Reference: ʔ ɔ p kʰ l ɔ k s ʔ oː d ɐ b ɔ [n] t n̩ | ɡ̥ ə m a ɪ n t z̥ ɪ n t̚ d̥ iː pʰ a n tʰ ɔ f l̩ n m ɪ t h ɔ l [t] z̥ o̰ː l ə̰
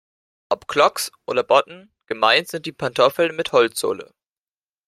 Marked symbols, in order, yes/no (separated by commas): no, no